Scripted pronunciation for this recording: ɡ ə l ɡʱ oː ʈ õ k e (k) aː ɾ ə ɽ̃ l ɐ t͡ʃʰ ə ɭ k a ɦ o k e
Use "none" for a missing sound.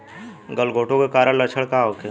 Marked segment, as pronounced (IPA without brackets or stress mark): k